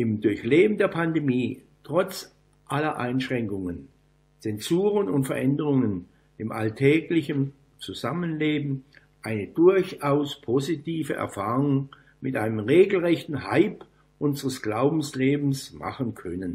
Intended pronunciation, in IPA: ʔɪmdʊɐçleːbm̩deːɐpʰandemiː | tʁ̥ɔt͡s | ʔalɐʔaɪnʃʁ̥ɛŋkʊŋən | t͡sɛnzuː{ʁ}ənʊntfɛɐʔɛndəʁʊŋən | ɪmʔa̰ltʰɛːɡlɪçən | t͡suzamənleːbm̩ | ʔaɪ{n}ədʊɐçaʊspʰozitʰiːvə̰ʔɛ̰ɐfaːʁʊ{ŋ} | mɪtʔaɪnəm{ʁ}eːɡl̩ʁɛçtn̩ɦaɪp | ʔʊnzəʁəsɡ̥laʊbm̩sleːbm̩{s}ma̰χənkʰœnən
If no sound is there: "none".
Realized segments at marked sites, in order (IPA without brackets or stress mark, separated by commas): ʁ, n, ŋ, ʁ, s